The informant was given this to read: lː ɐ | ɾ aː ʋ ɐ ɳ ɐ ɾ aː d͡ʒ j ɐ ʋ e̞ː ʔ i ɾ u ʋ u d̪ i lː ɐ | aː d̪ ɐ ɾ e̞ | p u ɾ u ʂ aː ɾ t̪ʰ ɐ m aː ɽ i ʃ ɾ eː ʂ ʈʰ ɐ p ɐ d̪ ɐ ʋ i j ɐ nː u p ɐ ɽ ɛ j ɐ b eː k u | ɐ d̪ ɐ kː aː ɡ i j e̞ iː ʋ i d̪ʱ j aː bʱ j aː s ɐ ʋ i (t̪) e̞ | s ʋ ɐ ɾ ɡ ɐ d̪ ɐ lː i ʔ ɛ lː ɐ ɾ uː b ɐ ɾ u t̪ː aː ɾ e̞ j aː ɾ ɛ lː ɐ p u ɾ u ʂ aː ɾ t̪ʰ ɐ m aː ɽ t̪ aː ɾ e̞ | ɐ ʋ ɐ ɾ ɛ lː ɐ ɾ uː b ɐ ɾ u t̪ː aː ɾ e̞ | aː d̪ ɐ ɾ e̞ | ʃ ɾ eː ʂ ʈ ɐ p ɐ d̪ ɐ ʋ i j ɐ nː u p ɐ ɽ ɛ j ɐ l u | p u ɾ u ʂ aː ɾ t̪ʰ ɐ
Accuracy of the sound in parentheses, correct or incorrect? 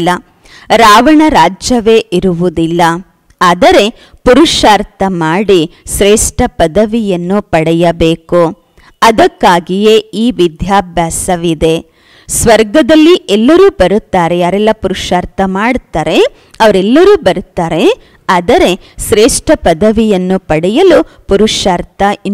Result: incorrect